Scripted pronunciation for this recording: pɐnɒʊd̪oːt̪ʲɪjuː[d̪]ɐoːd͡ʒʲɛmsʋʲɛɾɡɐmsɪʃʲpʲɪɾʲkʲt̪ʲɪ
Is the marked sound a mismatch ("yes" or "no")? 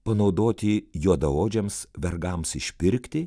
no